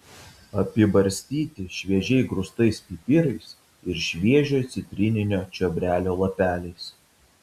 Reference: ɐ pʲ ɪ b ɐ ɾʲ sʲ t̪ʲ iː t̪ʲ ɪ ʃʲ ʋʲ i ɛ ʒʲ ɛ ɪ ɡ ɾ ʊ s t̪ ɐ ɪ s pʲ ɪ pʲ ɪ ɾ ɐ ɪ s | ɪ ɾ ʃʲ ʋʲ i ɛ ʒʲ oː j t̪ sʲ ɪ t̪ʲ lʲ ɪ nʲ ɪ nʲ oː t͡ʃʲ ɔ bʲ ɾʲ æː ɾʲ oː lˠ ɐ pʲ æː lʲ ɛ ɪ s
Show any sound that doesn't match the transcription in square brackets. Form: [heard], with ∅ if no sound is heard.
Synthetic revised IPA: ɐ pʲ ɪ b ɐ ɾʲ sʲ t̪ʲ iː t̪ʲ ɪ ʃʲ ʋʲ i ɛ ʒʲ ɛ ɪ ɡ ɾ ʊ s t̪ ɐ ɪ s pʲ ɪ pʲ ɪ ɾ ɐ ɪ s | ɪ ɾ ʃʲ ʋʲ i ɛ ʒʲ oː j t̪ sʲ ɪ t̪ʲ [ɾʲ] ɪ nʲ ɪ nʲ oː t͡ʃʲ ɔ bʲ ɾʲ æː [lʲ] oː lˠ ɐ pʲ æː lʲ ɛ ɪ s